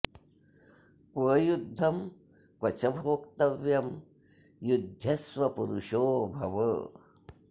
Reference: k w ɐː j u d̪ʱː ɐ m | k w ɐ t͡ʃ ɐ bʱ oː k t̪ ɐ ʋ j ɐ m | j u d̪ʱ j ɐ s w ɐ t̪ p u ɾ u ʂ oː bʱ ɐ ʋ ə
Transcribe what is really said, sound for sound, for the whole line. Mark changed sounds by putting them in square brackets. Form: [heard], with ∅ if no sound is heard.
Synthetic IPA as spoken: k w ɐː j u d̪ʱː ɐ m | k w ɐ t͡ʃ ɐ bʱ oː k t̪ ɐ ʋ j ɐ m | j u d̪ʱ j ɐ s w ɐ [∅] p u ɾ u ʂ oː bʱ ɐ ʋ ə